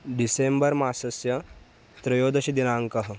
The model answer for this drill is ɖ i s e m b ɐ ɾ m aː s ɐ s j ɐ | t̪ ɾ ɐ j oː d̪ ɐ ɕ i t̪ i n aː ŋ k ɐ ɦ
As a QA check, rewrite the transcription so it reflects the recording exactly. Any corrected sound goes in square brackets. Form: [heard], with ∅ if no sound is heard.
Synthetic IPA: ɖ i s e m b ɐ ɾ m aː s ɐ s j ɐ | t̪ ɾ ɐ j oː d̪ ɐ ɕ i [d̪] i n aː ŋ k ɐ ɦ